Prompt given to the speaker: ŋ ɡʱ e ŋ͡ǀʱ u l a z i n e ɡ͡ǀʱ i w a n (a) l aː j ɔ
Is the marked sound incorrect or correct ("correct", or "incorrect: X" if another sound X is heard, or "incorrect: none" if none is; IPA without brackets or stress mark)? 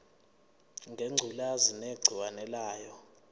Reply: incorrect: ɛ